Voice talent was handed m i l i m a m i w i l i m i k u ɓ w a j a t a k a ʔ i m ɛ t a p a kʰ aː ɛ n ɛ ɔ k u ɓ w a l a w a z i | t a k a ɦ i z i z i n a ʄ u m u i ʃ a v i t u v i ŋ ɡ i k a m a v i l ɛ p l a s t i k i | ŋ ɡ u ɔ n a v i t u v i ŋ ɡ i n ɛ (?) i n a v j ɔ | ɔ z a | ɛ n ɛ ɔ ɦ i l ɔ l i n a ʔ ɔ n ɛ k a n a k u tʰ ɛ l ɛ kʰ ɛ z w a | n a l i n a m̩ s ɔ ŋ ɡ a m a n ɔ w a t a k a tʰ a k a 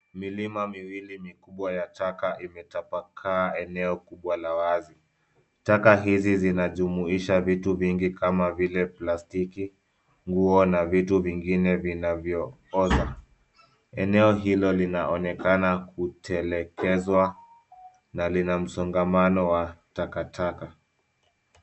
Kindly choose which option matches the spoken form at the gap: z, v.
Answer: v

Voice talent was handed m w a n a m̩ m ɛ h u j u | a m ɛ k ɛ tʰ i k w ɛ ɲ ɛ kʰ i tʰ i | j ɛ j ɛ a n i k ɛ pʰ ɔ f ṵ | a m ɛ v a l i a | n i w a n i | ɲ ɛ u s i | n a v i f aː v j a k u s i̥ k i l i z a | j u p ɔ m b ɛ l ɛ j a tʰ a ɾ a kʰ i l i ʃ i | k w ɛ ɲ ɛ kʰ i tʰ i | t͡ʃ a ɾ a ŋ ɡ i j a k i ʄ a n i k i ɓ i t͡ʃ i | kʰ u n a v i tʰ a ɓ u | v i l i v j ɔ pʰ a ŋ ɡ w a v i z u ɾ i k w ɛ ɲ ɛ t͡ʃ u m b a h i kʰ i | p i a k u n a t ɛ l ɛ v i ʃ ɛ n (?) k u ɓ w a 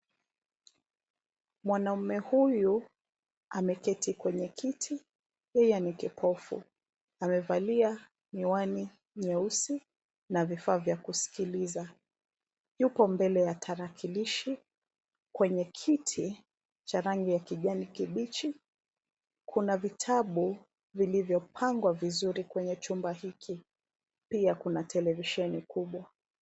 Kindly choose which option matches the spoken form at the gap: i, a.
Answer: i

